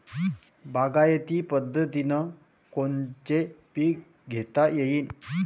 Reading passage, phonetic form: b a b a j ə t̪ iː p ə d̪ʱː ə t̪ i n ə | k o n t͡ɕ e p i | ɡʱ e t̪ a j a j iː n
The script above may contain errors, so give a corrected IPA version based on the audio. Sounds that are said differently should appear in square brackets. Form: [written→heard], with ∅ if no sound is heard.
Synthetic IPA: b a [b→ɡ] a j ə t̪ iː p ə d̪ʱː ə t̪ i n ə | k o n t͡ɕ e p i | ɡʱ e t̪ a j [a→e] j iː n